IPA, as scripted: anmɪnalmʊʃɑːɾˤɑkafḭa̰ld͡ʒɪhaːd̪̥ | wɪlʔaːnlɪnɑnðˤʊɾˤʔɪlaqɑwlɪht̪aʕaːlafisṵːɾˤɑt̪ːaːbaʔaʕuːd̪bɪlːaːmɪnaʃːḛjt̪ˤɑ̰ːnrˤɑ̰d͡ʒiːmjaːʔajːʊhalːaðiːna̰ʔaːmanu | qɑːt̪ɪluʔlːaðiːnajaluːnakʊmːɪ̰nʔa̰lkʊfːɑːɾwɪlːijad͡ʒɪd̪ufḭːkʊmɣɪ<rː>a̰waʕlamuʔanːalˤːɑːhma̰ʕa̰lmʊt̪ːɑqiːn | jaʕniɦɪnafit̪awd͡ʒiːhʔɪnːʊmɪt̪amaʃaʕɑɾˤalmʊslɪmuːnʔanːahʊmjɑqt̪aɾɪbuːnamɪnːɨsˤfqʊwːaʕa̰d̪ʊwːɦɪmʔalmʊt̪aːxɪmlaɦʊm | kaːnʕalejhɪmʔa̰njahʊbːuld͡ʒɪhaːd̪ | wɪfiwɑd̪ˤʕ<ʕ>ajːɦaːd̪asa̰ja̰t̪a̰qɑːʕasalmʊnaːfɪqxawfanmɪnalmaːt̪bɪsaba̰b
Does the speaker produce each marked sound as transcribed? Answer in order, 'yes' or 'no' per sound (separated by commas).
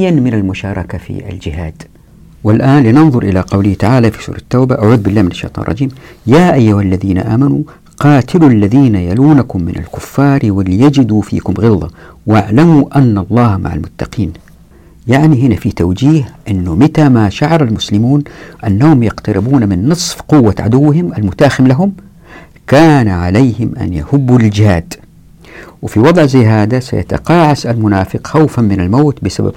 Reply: no, no